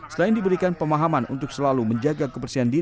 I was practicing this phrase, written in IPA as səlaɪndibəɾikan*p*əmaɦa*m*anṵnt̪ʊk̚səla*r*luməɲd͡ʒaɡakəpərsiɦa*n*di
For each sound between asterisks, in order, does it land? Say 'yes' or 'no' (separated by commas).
yes, yes, no, yes